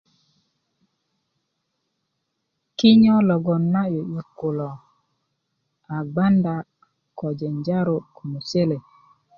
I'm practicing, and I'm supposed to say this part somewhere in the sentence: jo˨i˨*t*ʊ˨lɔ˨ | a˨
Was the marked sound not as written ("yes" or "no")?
yes